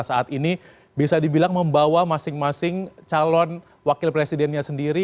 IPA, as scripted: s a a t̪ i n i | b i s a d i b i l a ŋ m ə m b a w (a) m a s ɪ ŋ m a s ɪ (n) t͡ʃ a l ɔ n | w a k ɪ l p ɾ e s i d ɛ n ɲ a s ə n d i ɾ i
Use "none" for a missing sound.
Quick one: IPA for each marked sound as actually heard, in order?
a, ŋ

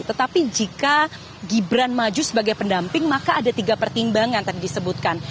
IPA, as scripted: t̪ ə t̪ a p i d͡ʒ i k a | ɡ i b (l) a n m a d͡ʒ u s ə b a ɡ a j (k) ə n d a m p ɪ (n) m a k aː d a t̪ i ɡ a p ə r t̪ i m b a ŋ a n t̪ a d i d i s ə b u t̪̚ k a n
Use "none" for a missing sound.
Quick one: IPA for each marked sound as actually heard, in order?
ɾ, p, ŋ

